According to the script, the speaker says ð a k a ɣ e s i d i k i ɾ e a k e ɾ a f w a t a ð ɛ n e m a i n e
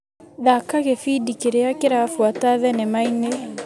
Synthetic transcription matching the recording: ð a k a ɣ e f i d i k e ɾ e a k e ɾ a f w a t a ð ɛ n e m a i n e